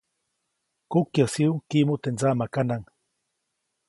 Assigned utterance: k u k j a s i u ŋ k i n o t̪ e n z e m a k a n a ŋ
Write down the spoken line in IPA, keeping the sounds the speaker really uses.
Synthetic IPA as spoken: k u k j a s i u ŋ k i m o t̪ e n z a m a k a n a ŋ

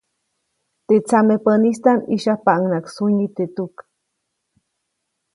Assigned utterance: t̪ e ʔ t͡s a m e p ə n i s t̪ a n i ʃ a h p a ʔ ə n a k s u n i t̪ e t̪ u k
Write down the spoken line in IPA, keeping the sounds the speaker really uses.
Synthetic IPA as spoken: t̪ e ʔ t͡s a m e p ə n i s t̪ a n i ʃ a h p a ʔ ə n a k s u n i t̪ e t̪ u k

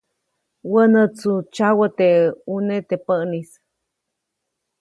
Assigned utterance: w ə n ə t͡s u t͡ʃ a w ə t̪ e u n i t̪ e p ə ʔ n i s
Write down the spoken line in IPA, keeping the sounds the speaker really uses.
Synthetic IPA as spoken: w ə n ə t͡s u t͡ʃ a w ə t̪ e u n e t̪ e p ə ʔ n i s

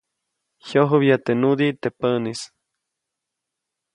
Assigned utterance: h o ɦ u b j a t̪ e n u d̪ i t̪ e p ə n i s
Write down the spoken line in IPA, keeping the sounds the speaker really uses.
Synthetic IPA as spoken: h o ɦ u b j a t̪ e n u d̪ i t̪ e p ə n i s

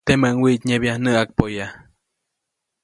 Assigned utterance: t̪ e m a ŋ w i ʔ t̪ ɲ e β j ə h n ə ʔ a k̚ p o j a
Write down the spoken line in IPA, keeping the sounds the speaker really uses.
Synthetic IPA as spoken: t̪ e m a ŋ w i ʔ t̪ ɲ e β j a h n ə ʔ a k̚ p o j a

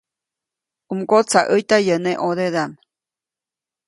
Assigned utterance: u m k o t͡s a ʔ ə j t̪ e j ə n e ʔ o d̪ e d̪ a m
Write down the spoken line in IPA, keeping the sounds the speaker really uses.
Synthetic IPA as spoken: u m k o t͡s a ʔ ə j t̪ a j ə n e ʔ o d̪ e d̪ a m

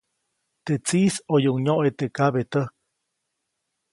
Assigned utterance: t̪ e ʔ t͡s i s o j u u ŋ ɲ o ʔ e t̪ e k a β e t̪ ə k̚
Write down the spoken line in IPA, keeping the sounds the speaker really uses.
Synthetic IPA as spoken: t̪ e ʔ t͡s i s o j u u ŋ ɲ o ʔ e t̪ e k a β e t̪ ə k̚

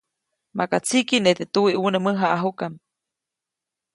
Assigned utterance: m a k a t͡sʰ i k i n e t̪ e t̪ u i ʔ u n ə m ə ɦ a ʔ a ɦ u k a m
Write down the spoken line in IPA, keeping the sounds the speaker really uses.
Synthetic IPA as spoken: m a k a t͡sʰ i k i n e t̪ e t̪ u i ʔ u n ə m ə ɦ a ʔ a ɦ u k a m

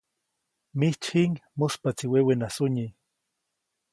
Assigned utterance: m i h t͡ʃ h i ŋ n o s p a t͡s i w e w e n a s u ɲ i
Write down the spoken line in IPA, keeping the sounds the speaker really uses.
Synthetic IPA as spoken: m i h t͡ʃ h i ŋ m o s p a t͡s i w e w e n a s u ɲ i

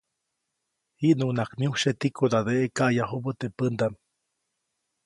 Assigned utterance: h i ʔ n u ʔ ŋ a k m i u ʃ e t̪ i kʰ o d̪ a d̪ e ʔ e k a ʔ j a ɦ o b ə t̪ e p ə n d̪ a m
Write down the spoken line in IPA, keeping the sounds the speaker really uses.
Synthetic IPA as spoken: h i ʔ n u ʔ n a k m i u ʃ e t̪ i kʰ o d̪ a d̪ e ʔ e k a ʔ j a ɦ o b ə t̪ e p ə n d̪ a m

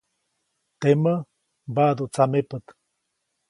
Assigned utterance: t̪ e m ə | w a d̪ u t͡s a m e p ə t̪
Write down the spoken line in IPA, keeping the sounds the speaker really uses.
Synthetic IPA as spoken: t̪ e m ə | b a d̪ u t͡s a m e p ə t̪

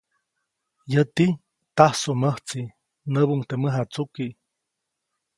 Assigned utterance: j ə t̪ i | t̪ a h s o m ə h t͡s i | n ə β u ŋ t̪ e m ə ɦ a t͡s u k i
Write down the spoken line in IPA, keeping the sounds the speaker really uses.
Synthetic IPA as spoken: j ə t̪ i | t̪ a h s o m ə h t͡s i | n ə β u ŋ t̪ e m ə ɦ a t͡s u k i

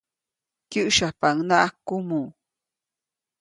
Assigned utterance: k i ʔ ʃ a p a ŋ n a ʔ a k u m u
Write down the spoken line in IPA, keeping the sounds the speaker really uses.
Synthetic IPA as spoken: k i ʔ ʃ a p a ŋ n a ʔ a k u m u

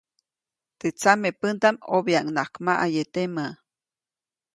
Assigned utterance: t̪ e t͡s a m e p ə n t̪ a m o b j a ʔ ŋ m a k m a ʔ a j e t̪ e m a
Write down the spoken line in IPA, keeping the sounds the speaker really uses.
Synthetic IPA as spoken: t̪ e t͡s a m e p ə n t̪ a m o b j a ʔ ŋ n a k m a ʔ a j e t̪ e m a

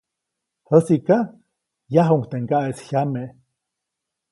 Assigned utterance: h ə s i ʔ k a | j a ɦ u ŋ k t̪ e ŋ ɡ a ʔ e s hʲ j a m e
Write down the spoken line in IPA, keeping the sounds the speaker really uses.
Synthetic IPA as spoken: h ə s i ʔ k a | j a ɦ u ŋ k t̪ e ŋ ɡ a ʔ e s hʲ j a m e

